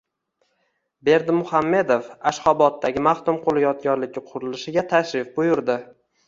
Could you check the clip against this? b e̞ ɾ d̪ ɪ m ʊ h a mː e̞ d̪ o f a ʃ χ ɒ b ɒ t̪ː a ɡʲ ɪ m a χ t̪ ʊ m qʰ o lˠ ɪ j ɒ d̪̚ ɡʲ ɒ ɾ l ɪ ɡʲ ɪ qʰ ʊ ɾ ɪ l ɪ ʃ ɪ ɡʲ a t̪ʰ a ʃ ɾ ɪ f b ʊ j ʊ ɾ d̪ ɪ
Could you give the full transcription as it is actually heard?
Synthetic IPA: b e̞ ɾ d̪ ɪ m ʊ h a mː e̞ d̪ o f a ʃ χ ɒ b ɒ t̪ː a ɡʲ ɪ m a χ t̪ ʊ m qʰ o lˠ ɪ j ɒ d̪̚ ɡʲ ɒ ɾ l ɪ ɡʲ ɪ qʰ ʊ ɾ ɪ l ɪ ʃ ɪ ɡʲ a t̪ʰ a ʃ ɾ ɪ f b ʊ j ʊ ɾ d̪ ɪ

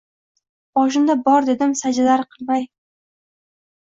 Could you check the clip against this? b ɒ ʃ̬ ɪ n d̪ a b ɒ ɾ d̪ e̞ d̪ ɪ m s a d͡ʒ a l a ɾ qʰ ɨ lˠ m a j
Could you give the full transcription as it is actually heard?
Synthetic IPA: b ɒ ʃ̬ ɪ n d̪ a b ɒ ɾ d̪ e̞ d̪ ɪ m s a d͡ʒ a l a ɾ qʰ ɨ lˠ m a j

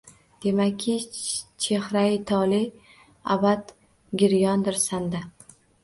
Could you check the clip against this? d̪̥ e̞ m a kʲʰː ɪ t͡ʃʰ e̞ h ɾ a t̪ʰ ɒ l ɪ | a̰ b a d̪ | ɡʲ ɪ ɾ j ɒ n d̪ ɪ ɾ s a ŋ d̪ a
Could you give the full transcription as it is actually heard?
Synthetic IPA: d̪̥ e̞ m a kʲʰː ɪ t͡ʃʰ e̞ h ɾ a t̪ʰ ɒ l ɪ | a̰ b a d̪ | ɡʲ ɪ ɾ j ɒ n d̪ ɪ ɾ s a n d̪ a

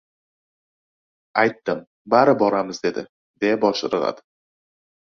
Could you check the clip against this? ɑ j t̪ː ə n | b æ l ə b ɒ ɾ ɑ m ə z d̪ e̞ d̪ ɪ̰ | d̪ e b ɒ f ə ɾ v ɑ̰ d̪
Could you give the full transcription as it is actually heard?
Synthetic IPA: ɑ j t̪ː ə m | b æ ɾ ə b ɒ ɾ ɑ m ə z d̪ e̞ d̪ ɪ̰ | d̪ e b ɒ ʃ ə ɾ ʁ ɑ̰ d̪

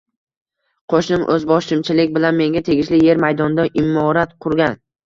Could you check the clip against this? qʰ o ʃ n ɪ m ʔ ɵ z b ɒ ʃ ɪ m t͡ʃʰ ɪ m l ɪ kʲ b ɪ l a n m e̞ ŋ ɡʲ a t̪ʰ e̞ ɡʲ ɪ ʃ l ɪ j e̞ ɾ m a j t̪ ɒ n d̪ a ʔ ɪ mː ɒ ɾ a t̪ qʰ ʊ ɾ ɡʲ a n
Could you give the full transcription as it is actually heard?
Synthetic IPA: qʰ o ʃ n ɪ m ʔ ɵ z b ɒ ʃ ɪ m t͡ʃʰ ɪ l ɪ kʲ b ɪ l a n m e̞ ŋ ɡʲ a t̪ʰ e̞ ɡʲ ɪ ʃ l ɪ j e̞ ɾ m a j d̪ ɒ n d̪ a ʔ ɪ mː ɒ ɾ a t̪ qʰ ʊ ɾ ɡʲ a n

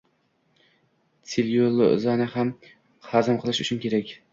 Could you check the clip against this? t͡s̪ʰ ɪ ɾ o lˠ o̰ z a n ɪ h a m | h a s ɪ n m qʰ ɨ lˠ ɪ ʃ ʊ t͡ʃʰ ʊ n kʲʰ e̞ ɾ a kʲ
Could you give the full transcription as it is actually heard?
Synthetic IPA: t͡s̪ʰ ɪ l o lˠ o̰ z a n ɪ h a m | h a z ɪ m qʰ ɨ lˠ ɪ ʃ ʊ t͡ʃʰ ʊ n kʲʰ e̞ ɾ a kʲ

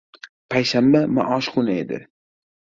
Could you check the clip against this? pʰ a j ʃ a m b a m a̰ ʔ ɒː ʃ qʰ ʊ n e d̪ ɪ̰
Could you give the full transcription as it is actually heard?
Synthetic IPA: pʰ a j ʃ a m b a m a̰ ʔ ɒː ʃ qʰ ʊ n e d̪ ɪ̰

